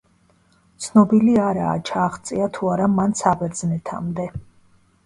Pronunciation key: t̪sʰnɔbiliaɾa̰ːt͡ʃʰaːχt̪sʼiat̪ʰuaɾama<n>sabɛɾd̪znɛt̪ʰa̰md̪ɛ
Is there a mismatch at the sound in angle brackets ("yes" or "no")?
no